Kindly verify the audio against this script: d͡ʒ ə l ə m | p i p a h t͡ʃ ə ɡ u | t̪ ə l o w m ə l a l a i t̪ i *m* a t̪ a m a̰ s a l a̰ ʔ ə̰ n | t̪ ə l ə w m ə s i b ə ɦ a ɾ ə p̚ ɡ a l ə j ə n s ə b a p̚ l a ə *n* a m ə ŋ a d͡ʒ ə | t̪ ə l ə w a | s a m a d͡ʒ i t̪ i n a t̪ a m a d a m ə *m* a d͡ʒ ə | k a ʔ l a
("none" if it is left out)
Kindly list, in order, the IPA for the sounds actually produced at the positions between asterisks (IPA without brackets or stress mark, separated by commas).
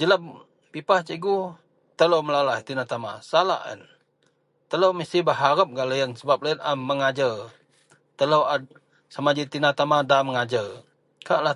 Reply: n, n, ŋ